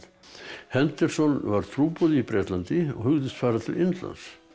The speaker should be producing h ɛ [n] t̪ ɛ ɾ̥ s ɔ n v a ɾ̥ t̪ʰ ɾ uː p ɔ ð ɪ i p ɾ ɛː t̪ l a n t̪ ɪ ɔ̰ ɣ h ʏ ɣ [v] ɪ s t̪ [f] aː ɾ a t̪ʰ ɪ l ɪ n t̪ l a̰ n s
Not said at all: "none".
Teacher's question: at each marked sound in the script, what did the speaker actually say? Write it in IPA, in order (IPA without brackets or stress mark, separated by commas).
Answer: n, ð, f